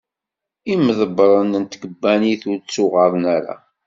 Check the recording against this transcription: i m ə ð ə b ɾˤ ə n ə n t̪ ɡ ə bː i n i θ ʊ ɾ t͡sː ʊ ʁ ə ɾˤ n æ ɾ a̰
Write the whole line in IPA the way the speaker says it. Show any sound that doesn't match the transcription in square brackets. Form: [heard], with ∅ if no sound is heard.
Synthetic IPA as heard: i m ə ð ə b ɾˤ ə n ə n t̪ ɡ ə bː [æ] n i θ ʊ ɾ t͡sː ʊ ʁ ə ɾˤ n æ ɾ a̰